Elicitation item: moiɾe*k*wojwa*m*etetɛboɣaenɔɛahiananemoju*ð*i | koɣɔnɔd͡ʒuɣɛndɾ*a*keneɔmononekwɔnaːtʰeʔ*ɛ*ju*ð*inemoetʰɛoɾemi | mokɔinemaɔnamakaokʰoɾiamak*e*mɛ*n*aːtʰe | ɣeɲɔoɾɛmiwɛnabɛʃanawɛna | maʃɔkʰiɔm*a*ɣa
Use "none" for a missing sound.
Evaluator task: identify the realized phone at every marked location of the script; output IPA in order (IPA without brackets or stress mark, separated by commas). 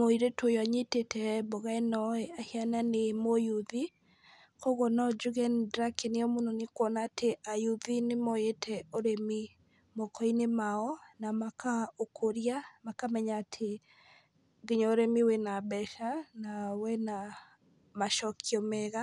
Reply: t, ɲ, ð, a, a, ð, a, ɲ, ɛ